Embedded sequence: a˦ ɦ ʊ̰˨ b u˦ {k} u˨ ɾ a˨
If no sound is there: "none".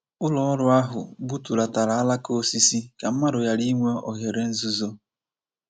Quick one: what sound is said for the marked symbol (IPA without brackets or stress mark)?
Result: t